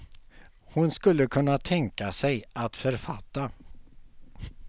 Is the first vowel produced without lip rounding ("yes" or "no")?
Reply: no